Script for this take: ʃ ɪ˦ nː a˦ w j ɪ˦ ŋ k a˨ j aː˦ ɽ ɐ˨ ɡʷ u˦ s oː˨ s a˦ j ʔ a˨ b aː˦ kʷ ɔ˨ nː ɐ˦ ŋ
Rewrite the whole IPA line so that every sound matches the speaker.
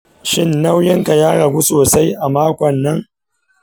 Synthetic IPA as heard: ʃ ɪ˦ nː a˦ w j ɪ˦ ŋ k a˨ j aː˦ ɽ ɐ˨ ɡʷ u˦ s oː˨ s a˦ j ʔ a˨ m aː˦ kʷ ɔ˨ nː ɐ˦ ŋ